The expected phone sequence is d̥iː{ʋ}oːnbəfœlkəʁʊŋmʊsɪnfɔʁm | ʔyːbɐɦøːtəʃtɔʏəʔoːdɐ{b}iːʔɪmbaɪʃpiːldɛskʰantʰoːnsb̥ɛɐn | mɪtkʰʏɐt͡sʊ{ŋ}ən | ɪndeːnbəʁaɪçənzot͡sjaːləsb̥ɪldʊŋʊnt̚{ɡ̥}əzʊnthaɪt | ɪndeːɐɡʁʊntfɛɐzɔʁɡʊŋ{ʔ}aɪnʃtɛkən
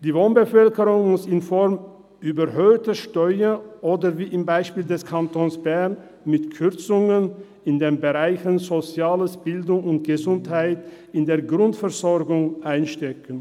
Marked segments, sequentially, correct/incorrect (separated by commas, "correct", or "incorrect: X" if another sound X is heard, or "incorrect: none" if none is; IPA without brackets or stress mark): incorrect: v, incorrect: v, correct, correct, correct